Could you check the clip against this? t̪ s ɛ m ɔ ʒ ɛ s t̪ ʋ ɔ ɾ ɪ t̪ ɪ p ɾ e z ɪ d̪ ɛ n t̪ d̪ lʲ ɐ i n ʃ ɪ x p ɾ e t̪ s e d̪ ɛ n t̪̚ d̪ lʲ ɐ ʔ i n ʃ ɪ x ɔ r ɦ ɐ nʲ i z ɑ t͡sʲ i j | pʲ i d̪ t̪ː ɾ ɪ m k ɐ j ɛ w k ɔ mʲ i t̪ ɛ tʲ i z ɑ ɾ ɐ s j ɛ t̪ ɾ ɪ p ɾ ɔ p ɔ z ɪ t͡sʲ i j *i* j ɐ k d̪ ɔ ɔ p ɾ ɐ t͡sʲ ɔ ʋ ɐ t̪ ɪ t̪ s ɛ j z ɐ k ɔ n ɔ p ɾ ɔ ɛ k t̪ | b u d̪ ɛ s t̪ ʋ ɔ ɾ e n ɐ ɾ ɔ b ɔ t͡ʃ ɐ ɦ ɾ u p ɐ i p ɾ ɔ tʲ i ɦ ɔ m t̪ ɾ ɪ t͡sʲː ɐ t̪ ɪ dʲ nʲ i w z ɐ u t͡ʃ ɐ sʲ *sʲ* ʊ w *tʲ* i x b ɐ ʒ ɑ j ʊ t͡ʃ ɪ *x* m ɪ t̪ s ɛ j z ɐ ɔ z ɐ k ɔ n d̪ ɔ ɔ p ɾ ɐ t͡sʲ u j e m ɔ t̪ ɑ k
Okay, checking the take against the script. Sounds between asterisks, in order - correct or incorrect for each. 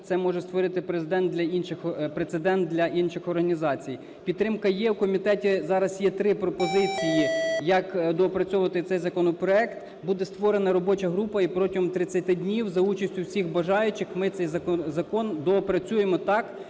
correct, incorrect, incorrect, correct

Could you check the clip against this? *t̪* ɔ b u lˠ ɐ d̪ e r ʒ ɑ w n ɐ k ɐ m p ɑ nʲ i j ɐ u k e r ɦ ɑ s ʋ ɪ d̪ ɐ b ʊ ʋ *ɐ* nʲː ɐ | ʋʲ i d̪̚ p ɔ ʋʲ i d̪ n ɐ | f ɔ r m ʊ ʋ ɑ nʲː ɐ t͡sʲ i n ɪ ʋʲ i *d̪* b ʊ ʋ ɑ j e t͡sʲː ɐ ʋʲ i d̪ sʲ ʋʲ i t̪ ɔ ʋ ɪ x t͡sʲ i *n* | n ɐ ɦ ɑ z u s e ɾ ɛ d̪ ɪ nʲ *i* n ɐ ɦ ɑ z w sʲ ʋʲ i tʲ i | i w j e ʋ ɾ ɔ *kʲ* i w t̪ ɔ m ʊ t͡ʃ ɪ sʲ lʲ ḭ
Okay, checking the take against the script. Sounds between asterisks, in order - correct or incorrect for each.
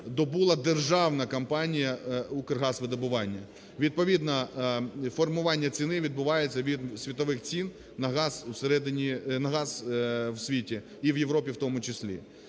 incorrect, incorrect, correct, correct, correct, incorrect

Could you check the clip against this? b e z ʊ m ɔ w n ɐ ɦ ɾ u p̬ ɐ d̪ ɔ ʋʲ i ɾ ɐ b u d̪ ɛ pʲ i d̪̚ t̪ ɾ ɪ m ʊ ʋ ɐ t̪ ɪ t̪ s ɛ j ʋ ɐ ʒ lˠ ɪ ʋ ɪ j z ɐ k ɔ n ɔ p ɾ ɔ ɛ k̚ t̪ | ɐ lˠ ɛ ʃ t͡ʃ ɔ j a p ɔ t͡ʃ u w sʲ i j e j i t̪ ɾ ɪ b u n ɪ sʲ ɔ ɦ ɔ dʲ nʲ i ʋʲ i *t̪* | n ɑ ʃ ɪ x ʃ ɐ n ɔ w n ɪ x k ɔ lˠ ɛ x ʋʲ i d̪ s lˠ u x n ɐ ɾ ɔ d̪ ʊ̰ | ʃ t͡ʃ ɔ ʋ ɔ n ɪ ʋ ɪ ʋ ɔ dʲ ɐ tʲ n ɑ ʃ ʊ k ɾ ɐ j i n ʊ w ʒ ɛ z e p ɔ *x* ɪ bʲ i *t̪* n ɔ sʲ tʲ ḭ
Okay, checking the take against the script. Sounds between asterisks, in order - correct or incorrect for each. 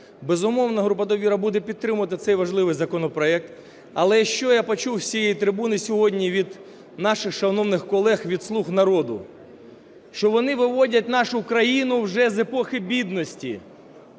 incorrect, correct, incorrect

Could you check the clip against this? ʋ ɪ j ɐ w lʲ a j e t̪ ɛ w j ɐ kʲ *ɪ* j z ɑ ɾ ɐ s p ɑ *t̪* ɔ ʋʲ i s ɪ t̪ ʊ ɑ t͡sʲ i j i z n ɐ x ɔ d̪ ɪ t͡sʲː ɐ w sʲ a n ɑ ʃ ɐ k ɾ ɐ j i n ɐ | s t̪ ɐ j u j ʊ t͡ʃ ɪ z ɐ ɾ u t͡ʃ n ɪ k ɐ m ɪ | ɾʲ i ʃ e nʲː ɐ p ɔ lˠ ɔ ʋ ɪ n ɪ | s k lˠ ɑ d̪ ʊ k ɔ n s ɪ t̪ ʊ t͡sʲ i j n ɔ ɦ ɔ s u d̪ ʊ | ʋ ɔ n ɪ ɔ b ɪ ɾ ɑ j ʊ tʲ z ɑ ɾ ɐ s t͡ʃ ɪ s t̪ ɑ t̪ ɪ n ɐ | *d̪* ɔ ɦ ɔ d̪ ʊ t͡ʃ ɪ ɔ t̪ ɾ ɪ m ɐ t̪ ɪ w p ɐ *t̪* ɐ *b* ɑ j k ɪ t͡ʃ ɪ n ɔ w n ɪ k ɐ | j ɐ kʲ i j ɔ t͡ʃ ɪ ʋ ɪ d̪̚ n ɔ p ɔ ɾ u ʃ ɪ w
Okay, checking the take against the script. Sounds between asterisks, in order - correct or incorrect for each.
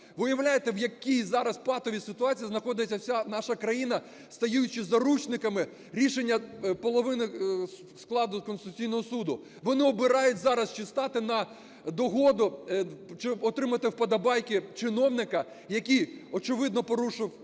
incorrect, correct, correct, incorrect, correct

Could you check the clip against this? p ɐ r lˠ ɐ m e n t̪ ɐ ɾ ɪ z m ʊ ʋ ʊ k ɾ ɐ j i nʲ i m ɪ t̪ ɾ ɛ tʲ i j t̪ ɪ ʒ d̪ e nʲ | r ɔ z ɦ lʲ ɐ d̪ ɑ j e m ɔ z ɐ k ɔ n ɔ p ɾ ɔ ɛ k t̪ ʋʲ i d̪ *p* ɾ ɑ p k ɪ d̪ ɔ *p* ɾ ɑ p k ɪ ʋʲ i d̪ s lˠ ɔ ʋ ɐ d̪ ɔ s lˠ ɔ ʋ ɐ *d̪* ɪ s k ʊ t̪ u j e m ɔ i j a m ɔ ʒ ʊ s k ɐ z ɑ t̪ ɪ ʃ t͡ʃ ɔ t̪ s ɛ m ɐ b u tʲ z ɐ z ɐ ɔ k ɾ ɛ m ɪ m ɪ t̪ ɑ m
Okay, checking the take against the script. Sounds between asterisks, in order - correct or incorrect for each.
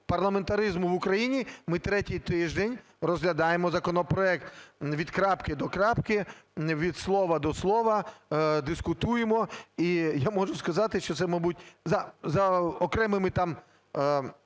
incorrect, incorrect, correct

